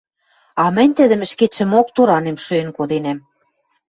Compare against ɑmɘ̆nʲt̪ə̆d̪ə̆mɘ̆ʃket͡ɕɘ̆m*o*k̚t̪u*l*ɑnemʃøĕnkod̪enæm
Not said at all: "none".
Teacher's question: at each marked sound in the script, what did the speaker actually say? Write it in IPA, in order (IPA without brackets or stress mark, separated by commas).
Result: o, ɾ